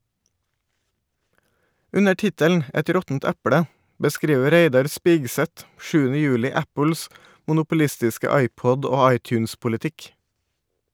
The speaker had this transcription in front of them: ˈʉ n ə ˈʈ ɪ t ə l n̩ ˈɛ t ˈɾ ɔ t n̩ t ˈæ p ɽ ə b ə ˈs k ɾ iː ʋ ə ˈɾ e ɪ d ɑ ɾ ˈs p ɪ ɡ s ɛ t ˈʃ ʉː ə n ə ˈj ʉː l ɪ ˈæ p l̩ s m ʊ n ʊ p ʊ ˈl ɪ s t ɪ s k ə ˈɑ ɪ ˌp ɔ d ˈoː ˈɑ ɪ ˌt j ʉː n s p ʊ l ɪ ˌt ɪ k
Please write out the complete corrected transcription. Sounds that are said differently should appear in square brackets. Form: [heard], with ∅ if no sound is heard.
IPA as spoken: ˈʉ n ə ˈʈ ɪ t ə l n̩ ˈɛ t ˈɾ ɔ t n̩ t ˈæ p ɽ ə b ə ˈs k ɾ iː ʋ ə ˈɾ e ɪ d ɑ ɾ ˈs p ɪ ɡ s ɛ t ˈʃ ʉː ə n ə ˈj ʉː l ɪ ˈæ p l̩ s m ʊ n ʊ p ʊ ˈl ɪ s t ɪ s k ə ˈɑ ɪ ˌp ɔ d ˈoː ˈɑ ɪ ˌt j ʉː n s p ʊ l ɪ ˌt ɪ k